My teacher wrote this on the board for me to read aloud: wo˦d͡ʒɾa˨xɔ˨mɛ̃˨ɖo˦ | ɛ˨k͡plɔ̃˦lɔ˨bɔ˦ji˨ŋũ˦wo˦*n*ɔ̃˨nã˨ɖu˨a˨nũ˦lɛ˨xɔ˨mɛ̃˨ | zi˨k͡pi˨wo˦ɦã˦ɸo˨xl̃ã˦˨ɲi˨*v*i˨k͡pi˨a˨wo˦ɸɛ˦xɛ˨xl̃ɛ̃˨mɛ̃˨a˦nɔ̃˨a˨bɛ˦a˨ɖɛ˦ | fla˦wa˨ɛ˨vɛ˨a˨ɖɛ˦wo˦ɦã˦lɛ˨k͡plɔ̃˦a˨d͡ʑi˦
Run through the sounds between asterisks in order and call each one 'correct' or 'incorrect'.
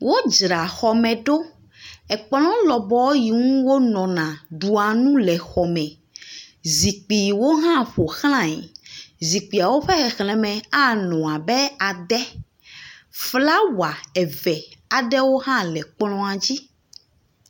correct, incorrect

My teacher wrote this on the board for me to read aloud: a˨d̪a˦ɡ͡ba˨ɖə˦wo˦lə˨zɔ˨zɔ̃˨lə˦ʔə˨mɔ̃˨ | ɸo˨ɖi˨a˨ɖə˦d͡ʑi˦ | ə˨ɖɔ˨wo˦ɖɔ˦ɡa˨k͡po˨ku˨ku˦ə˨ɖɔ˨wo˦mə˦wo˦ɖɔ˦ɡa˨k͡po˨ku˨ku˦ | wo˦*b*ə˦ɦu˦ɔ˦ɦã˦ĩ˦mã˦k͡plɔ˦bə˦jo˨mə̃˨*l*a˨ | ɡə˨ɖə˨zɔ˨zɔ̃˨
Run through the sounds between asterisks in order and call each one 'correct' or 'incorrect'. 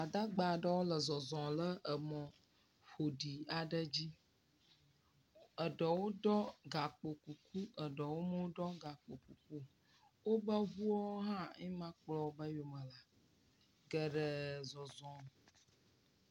correct, correct

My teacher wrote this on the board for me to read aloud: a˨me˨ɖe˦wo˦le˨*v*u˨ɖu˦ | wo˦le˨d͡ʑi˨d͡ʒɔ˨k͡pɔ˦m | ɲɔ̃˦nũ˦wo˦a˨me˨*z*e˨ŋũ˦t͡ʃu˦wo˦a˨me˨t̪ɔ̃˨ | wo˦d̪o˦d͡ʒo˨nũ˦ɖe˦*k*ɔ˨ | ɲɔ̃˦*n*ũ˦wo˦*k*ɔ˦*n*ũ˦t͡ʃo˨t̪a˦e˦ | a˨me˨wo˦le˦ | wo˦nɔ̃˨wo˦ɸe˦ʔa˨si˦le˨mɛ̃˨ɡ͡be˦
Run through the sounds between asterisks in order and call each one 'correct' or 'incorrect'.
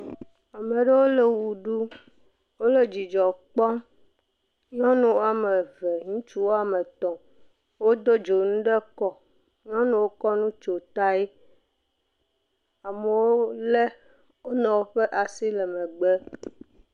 incorrect, incorrect, correct, correct, correct, correct

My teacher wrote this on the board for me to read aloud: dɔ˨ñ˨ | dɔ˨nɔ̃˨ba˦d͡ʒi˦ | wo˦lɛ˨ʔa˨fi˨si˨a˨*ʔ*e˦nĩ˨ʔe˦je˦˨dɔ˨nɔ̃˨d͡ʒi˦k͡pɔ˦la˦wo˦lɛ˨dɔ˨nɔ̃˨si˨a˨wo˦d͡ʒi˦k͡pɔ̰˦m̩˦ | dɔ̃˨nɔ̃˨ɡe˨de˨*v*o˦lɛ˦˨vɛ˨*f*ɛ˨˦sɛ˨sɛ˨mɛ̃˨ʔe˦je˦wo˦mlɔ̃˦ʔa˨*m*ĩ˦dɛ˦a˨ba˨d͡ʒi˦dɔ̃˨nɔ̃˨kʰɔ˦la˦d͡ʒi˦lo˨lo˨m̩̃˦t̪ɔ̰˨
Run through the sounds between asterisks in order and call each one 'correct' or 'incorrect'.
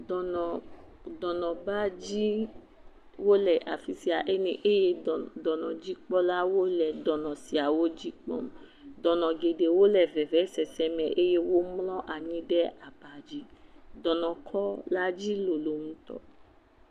correct, incorrect, incorrect, incorrect

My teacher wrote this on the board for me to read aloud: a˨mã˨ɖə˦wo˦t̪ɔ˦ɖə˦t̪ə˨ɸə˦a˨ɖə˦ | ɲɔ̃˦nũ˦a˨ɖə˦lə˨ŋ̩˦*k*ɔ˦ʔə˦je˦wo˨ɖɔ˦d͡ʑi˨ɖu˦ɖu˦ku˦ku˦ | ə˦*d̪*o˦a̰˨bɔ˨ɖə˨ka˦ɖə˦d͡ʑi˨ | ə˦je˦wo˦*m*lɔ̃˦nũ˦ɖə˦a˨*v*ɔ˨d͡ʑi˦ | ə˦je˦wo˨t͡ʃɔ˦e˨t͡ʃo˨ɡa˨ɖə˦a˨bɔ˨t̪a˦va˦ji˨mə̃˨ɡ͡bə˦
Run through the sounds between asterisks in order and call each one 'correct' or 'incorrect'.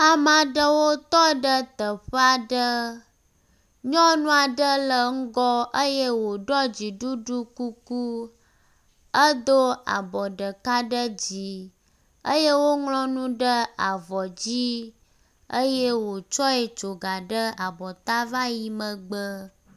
incorrect, correct, incorrect, correct

